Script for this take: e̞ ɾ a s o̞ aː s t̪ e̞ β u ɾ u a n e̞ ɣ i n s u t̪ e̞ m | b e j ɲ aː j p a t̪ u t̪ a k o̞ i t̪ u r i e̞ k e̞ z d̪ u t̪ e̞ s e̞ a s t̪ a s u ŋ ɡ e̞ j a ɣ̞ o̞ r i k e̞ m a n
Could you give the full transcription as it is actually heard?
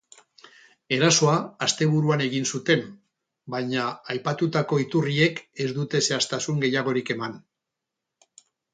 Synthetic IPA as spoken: e̞ ɾ a s o̞ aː s t̪ e̞ β u ɾ u a n e̞ ɣ i n s u t̪ e̞ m | b a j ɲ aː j p a t̪ u t̪ a k o̞ i t̪ u r i e̞ k e̞ z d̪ u t̪ e̞ s e̞ a s t̪ a s u ŋ ɡ e̞ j a ɣ̞ o̞ ɾ i k e̞ m a n